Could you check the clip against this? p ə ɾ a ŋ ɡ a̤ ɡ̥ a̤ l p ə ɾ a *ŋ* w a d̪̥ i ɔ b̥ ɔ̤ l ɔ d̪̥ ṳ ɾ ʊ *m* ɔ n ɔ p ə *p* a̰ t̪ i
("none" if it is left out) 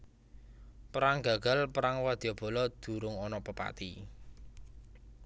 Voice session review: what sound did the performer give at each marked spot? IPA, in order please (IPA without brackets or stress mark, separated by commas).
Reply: ŋ, ŋ, p